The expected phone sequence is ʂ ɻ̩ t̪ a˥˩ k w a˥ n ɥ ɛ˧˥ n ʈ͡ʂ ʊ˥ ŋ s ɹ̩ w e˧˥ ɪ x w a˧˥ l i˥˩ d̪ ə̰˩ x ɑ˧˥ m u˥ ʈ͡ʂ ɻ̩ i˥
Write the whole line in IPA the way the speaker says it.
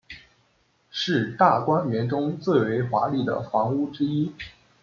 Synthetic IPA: ʂ ɻ̩ t̪ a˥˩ k w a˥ n ɥ ɛ˧˥ n ʈ͡ʂ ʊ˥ ŋ t͡s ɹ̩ w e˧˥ ɪ x w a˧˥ l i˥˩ d̪ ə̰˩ f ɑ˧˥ ŋ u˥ ʈ͡ʂ ɻ̩ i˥